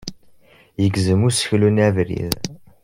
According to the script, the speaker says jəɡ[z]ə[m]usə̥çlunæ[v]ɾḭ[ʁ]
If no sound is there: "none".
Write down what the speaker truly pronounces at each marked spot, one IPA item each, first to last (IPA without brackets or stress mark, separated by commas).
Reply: z, m, v, ð